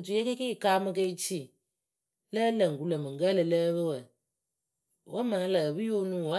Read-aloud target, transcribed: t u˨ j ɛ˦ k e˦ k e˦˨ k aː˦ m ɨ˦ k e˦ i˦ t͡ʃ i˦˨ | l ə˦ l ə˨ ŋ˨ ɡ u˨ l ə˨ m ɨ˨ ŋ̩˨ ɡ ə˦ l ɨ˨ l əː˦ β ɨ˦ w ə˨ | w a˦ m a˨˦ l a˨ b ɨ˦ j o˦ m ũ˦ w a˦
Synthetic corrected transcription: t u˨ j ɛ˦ k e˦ k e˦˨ k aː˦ m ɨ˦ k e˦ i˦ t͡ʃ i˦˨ | l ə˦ l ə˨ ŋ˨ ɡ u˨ l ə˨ m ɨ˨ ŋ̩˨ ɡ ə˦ l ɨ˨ l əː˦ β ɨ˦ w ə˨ | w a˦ m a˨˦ l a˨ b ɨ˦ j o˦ n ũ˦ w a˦